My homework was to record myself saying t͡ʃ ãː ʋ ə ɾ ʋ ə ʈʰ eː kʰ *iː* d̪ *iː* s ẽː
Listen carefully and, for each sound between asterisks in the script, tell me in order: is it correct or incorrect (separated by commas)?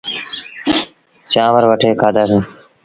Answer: incorrect, incorrect